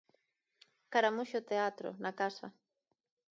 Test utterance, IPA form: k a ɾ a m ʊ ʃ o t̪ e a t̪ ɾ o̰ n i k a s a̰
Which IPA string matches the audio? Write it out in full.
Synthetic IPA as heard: k a ɾ a m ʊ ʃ o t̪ e a t̪ ɾ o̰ n a k a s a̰

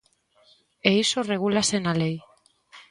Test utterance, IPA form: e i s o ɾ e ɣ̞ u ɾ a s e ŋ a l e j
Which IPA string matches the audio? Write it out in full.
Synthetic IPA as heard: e i s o r e ɣ̞ u l a s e n a l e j

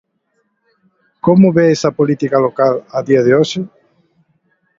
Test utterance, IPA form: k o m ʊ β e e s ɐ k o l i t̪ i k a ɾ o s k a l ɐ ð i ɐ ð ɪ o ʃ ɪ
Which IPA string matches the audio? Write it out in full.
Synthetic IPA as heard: k o m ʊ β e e s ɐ p o l i t̪ i k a l o k a l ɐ ð i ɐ ð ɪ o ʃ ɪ

